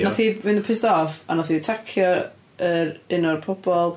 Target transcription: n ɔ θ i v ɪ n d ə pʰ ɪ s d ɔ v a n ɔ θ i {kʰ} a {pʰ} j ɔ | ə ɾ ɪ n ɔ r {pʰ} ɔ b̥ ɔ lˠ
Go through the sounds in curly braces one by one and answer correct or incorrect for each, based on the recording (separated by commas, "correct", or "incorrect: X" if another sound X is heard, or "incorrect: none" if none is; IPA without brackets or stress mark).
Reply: incorrect: tʰ, incorrect: kʰ, correct